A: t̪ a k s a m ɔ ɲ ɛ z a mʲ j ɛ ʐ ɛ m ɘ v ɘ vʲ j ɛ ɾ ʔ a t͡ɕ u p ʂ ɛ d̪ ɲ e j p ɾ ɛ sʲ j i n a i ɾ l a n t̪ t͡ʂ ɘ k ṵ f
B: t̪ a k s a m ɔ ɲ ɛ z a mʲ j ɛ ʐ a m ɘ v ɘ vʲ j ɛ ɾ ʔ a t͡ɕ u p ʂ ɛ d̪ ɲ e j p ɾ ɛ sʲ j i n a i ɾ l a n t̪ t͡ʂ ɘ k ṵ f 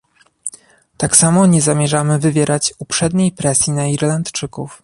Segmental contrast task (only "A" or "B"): B